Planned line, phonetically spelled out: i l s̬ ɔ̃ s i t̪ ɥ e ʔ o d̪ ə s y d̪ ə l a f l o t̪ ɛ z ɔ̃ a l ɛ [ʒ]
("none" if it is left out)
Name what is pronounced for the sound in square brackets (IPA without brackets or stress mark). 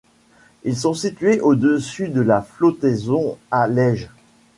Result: ʒ